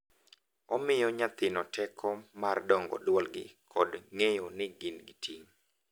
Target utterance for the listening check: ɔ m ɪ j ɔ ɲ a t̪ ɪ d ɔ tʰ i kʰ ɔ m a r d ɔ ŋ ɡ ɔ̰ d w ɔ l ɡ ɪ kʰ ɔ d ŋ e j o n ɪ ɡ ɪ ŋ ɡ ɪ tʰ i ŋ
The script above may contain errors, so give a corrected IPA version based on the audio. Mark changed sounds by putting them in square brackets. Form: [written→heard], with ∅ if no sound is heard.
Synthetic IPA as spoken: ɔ m ɪ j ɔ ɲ a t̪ ɪ [d→n] ɔ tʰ [i→ɛ] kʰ ɔ m a r d ɔ ŋ ɡ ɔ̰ d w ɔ l ɡ ɪ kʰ ɔ d ŋ e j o n ɪ ɡ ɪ [ŋ→n] ɡ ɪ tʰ i ŋ